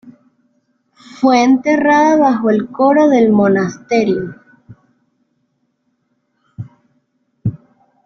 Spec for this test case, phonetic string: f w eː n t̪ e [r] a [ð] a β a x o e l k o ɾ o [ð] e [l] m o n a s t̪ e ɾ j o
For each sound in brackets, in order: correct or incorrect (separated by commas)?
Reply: correct, correct, correct, correct